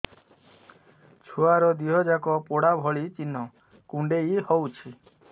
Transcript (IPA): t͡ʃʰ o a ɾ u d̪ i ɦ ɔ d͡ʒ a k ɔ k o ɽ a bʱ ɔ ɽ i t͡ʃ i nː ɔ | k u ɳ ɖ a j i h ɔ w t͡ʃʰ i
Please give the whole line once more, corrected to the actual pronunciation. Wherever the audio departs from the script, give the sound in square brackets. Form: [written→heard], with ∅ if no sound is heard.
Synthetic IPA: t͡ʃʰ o a ɾ [u→ɔ] d̪ i ɦ ɔ d͡ʒ a k ɔ [k→p] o ɽ a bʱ ɔ [ɽ→ɭ] i t͡ʃ i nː ɔ | k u ɳ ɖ [a→e] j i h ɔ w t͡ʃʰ i